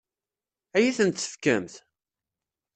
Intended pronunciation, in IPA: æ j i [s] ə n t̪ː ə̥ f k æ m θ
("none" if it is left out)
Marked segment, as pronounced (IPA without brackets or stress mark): θ